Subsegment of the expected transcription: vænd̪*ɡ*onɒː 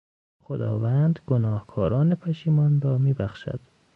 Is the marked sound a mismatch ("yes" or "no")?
no